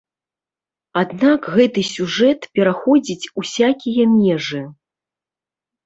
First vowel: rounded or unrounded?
unrounded